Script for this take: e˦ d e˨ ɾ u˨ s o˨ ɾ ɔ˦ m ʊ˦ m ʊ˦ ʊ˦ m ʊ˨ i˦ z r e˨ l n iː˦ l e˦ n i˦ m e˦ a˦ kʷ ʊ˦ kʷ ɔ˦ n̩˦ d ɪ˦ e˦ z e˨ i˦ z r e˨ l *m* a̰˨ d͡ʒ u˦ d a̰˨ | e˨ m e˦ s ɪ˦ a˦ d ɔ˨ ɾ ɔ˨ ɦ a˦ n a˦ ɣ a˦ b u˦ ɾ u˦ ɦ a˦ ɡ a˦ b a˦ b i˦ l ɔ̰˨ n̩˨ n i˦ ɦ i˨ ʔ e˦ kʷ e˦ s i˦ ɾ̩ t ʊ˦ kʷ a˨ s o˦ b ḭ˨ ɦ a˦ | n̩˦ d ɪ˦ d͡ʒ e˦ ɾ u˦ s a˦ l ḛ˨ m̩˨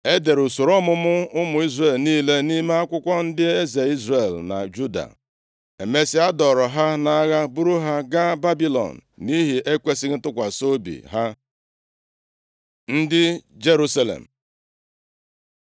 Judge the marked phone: incorrect: n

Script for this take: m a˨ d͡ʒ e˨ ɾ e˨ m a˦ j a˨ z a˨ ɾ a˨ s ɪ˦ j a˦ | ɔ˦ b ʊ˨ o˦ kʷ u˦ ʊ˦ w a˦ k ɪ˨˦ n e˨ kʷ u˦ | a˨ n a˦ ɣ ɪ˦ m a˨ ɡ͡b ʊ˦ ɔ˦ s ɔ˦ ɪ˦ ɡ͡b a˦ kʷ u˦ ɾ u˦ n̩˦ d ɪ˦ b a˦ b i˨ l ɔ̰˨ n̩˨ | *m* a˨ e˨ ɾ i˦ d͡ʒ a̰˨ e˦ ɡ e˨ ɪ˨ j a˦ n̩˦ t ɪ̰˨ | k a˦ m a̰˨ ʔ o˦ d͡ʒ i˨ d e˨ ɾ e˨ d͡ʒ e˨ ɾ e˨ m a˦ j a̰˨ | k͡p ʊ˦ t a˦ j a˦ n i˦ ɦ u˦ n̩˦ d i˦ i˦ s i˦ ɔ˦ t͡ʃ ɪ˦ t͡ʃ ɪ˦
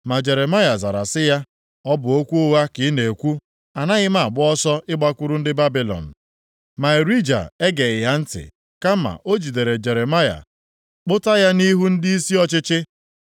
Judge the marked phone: correct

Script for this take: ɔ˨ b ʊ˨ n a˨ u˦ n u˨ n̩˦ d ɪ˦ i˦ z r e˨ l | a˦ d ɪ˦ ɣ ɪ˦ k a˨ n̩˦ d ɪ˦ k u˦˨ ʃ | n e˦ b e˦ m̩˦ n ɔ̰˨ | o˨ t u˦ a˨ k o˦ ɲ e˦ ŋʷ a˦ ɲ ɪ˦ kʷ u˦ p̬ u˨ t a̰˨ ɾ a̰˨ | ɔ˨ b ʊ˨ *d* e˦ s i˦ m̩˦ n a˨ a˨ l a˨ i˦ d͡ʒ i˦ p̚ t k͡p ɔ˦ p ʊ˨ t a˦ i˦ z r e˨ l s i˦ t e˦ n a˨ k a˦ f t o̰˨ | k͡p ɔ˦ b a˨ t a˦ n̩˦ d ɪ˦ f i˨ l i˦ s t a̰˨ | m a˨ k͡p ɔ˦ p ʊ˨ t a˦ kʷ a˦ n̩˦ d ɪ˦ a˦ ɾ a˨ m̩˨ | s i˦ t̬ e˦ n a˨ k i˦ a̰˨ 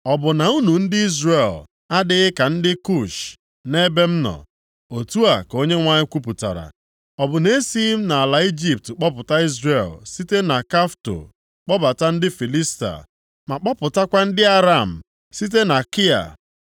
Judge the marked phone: incorrect: n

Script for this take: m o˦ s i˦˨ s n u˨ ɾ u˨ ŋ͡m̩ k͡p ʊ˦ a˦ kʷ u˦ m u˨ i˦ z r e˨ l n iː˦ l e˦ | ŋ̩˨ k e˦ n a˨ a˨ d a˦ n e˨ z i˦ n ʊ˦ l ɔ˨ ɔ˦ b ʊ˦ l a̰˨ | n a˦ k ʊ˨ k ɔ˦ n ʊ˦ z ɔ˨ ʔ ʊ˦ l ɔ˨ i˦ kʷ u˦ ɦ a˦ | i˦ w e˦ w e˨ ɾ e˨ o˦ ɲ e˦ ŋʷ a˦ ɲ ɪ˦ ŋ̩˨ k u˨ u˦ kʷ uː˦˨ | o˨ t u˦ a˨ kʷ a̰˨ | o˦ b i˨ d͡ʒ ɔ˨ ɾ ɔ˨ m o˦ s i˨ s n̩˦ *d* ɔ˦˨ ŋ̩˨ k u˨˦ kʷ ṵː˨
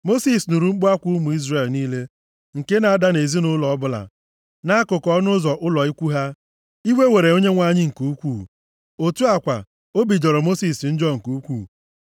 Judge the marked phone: incorrect: d͡ʒ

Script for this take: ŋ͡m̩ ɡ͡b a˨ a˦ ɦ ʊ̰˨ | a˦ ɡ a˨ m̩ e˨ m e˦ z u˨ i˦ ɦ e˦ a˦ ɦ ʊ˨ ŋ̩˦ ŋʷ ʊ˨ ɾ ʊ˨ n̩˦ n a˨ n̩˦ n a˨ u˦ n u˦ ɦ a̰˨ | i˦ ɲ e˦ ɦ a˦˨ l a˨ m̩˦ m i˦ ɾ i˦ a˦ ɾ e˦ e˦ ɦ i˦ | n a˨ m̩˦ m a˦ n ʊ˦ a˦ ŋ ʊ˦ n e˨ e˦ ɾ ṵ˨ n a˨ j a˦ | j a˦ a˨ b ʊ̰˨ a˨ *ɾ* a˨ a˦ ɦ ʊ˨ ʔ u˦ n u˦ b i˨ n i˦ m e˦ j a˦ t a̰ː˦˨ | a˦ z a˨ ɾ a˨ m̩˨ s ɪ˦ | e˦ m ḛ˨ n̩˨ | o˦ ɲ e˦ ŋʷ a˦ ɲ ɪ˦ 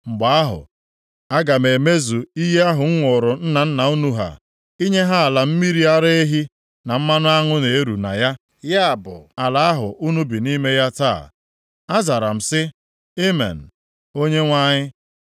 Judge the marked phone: incorrect: l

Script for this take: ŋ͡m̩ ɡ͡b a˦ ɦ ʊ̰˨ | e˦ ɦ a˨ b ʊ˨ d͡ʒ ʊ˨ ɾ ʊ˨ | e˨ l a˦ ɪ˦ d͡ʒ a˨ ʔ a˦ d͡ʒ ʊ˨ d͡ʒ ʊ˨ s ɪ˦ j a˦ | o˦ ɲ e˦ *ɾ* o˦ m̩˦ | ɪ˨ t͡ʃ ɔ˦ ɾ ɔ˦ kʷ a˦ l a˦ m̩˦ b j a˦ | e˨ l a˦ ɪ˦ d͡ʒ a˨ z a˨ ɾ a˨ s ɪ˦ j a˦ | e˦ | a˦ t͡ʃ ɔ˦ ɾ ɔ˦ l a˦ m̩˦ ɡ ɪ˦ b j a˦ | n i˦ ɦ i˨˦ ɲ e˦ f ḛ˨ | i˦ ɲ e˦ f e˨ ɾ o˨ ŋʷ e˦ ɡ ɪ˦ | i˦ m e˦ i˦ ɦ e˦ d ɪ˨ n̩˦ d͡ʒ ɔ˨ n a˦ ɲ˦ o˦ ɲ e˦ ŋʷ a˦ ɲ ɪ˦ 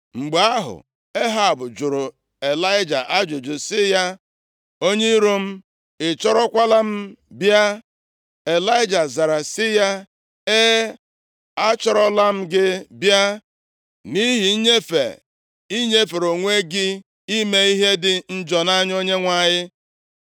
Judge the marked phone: correct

